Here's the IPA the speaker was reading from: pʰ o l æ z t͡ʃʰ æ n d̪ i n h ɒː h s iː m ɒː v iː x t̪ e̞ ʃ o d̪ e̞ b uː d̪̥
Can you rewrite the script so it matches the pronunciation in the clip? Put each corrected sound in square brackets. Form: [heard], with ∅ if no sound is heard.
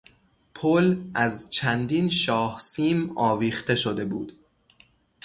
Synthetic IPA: pʰ o l æ z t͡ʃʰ æ n d̪ i n [ʃ] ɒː h s iː m ɒː v iː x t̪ e̞ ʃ o d̪ e̞ b uː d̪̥